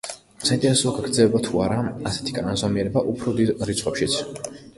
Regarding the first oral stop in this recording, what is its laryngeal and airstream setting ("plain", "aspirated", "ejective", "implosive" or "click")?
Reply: ejective